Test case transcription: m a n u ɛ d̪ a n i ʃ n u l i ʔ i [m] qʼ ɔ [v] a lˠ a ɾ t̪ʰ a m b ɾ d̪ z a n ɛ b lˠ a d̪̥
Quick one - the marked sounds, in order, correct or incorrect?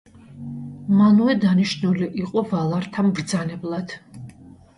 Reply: incorrect: none, correct

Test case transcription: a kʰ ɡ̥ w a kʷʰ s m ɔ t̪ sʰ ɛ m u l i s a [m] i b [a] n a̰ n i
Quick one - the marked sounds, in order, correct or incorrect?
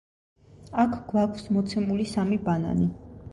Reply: correct, correct

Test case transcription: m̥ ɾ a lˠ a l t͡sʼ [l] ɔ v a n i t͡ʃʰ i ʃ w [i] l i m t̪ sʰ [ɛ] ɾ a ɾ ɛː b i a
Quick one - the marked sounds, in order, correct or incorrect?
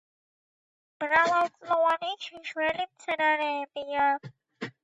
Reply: correct, incorrect: ɛ, correct

